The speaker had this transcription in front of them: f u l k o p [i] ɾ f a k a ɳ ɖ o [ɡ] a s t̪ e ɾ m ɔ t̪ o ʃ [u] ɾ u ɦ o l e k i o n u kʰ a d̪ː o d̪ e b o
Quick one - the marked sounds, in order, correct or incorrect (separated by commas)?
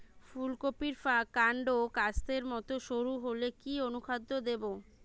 correct, incorrect, incorrect